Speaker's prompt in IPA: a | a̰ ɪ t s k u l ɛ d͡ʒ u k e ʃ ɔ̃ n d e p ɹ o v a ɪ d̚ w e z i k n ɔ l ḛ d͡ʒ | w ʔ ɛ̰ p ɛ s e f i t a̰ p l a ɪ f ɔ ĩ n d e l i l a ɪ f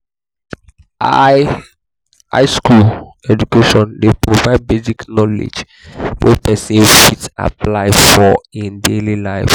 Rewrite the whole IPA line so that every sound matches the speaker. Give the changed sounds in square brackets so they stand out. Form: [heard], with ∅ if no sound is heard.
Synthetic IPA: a | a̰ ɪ [∅] s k u l ɛ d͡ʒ u k e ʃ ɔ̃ n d e p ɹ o v a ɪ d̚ [b] e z i k n ɔ l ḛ d͡ʒ | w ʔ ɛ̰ p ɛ s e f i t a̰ p l a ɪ f ɔ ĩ n d e l i l a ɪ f